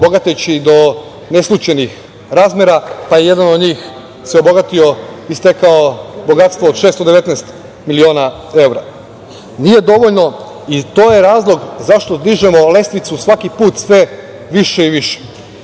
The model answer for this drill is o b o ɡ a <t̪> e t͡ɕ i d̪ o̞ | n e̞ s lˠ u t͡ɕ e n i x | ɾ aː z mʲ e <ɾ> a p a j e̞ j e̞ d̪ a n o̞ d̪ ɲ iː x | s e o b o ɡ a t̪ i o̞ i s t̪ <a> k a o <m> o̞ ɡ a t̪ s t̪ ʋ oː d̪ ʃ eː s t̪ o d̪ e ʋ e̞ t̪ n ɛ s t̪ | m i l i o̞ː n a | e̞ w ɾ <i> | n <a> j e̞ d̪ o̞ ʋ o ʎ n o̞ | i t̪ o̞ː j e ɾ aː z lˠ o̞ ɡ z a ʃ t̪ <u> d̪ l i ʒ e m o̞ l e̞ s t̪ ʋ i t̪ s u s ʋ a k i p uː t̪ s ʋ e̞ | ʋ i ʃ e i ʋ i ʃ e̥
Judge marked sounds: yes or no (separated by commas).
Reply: yes, yes, no, no, no, no, no